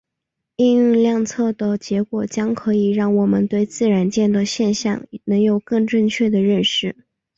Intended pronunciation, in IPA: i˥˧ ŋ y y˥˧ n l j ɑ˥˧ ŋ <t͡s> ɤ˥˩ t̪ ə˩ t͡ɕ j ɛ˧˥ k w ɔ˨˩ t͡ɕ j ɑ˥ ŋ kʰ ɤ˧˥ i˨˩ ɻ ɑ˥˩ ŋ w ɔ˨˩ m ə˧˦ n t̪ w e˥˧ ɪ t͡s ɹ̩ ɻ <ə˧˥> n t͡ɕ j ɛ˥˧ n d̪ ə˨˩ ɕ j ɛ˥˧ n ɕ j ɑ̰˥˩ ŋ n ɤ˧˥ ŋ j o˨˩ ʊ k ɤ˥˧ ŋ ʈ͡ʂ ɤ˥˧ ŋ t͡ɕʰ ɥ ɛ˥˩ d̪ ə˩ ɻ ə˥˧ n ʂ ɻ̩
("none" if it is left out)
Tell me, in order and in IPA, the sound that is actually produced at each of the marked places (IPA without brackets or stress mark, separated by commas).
t͡sʰ, a˧˥